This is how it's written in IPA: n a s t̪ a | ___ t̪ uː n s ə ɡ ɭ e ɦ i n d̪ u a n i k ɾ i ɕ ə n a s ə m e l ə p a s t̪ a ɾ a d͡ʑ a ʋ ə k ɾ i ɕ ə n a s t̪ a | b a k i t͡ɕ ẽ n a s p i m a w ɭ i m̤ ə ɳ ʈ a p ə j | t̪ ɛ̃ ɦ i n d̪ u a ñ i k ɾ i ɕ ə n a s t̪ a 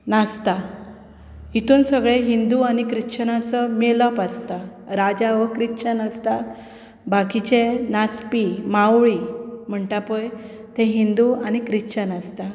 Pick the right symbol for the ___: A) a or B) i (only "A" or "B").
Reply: B